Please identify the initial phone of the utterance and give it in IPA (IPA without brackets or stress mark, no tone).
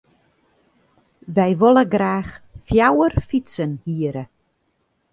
ʋ